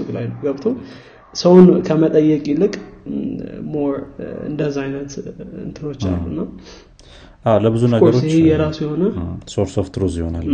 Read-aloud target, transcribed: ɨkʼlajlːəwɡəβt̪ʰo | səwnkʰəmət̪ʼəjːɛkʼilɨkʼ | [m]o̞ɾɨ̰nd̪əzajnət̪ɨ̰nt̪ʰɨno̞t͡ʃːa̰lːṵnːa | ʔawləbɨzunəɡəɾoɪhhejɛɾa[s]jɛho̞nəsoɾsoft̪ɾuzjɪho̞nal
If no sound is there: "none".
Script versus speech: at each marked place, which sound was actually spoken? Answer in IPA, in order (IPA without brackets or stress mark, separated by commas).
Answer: m, s